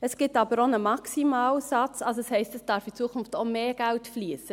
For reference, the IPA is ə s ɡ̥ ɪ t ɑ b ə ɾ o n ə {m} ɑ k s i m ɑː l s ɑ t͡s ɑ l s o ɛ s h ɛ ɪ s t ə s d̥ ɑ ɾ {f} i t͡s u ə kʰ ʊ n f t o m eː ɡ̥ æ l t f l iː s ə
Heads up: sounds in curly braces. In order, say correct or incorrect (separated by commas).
correct, correct